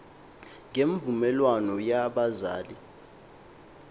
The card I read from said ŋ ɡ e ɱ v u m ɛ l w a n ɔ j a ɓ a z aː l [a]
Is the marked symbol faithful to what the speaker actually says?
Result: no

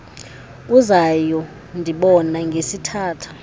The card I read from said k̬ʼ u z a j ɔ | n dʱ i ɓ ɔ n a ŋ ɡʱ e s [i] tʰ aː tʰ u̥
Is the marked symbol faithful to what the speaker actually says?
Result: yes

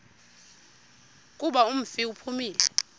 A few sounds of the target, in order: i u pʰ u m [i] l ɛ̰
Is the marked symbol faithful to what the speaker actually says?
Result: no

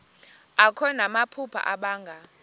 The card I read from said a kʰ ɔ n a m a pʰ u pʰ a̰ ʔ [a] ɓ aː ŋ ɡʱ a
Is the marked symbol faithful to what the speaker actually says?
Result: yes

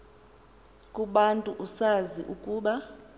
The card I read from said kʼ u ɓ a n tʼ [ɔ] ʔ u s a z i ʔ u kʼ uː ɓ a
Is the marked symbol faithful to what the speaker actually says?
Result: no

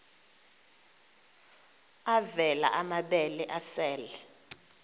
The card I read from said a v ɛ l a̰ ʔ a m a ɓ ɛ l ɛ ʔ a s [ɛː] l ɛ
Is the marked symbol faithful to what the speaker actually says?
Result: yes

